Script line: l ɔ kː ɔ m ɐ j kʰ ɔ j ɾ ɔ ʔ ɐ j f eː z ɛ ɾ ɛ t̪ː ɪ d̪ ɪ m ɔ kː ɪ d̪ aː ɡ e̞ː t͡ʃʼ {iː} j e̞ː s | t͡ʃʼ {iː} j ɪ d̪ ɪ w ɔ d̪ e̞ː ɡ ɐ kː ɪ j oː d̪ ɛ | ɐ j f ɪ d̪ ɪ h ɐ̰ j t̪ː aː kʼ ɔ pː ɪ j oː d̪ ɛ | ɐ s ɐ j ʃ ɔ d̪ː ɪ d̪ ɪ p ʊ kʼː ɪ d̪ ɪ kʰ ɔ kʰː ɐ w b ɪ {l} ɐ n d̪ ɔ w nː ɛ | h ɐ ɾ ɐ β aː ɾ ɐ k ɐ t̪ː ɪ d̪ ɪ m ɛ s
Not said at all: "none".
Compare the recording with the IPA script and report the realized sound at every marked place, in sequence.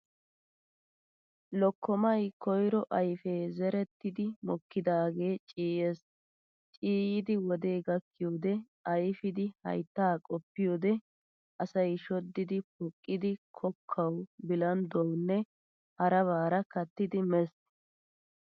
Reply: iː, iː, l

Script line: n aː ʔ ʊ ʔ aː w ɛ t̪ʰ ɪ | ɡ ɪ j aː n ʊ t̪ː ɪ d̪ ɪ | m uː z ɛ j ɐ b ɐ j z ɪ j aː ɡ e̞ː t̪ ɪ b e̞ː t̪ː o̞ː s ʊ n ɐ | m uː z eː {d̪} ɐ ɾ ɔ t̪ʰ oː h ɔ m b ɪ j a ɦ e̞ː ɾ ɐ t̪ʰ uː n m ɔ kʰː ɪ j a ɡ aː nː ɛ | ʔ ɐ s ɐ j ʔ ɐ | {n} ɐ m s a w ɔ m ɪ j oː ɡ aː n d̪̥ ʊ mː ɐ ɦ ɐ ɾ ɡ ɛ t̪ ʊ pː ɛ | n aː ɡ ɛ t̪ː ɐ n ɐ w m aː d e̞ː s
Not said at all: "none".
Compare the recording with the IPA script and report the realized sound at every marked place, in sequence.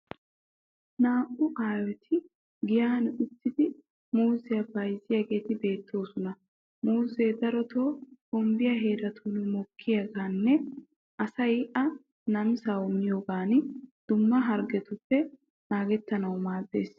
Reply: d̪, n

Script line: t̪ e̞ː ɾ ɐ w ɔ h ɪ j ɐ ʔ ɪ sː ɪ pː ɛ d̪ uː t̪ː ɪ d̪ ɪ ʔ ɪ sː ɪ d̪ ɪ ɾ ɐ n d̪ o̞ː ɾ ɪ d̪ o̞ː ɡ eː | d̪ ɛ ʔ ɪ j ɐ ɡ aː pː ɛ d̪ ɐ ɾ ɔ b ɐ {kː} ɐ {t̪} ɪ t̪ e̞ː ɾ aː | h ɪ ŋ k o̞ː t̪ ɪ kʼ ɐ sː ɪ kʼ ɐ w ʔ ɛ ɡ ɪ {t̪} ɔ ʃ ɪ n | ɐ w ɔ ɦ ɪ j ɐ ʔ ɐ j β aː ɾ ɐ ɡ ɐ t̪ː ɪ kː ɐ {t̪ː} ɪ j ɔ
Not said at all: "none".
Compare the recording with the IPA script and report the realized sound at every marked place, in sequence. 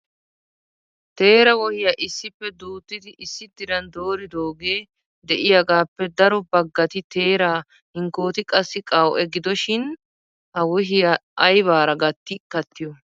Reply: ɡː, t̪, d̪, t̪ː

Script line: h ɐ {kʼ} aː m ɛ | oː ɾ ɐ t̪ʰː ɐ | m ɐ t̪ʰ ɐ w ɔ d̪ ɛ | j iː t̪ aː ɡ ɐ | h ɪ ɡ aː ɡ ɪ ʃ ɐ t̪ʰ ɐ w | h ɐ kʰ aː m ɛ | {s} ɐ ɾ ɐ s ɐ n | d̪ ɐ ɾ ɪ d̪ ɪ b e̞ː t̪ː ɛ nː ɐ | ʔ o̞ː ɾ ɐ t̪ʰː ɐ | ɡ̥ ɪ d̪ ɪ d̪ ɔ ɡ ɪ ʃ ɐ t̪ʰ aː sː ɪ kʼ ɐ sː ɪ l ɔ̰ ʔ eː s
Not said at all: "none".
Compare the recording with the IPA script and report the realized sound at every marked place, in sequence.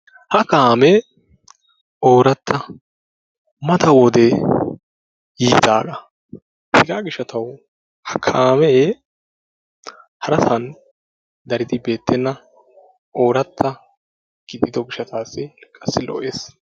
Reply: k, h

